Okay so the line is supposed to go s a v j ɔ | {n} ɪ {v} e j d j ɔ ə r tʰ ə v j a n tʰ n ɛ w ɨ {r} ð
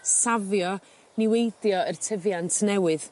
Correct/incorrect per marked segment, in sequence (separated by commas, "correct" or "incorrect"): correct, incorrect, incorrect